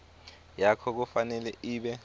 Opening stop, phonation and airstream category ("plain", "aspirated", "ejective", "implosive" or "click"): aspirated